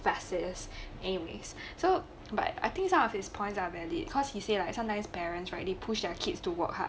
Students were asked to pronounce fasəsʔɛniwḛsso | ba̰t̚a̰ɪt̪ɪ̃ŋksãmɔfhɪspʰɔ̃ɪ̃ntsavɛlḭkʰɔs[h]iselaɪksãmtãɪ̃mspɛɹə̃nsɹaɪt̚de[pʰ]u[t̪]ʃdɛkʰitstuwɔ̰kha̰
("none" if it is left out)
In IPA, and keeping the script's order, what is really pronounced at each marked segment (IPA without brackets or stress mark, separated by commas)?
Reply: h, pʰ, none